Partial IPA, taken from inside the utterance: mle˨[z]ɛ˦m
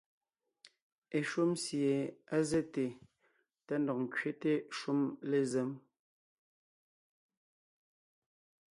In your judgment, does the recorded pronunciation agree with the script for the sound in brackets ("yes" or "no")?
yes